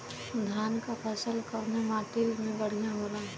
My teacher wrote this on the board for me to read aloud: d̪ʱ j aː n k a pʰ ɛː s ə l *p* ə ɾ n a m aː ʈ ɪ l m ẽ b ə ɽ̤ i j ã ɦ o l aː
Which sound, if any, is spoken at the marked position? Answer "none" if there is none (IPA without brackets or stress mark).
k